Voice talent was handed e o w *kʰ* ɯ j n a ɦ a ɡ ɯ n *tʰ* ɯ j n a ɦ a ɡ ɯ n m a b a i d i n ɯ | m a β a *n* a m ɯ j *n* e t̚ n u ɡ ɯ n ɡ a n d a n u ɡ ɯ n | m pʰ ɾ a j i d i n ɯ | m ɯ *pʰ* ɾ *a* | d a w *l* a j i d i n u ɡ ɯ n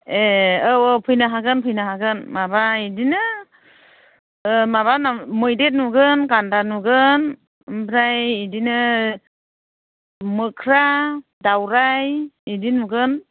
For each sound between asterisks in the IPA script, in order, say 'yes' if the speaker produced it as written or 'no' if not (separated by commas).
no, no, yes, no, no, yes, no